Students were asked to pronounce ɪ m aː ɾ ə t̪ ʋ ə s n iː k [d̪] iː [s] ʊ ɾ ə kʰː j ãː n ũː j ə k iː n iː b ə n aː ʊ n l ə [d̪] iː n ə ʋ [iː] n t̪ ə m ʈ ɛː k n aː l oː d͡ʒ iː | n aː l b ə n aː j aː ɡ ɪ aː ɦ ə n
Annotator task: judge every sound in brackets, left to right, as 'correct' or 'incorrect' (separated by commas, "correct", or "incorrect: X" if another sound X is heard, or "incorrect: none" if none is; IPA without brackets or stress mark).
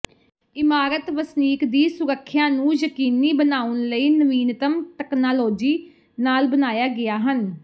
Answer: correct, correct, incorrect: none, correct